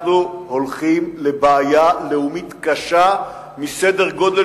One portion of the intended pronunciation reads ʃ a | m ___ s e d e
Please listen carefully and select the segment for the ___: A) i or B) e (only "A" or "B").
A